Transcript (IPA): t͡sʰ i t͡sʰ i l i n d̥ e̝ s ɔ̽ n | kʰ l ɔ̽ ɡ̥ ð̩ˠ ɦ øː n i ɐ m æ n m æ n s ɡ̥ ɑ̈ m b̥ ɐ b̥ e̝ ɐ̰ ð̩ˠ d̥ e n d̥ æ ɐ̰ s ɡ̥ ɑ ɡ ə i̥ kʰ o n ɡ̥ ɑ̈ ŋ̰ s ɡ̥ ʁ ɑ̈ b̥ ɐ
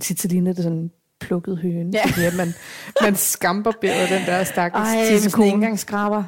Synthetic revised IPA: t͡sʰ i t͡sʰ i l i n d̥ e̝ s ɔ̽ n | pʰ l ɔ̽ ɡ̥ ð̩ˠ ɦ øː n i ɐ m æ n m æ n s ɡ̥ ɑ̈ m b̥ ɐ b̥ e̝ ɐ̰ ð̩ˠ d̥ e n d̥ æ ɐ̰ s d̥ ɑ ɡ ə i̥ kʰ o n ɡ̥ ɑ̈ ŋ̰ s ɡ̥ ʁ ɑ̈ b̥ ɐ